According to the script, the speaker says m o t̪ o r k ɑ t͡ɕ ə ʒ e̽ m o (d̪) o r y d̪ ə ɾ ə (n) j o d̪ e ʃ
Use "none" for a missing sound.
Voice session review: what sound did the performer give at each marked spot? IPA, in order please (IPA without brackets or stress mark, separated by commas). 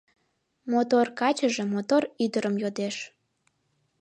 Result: t̪, m